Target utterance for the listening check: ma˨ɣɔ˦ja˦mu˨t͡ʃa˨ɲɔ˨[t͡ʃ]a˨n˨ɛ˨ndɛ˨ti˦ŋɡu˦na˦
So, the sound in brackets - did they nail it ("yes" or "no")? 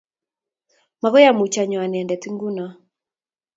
no